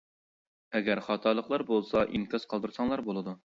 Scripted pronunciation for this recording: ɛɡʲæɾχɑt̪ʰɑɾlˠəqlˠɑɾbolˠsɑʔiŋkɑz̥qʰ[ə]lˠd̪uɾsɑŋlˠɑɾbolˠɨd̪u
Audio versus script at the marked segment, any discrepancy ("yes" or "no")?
yes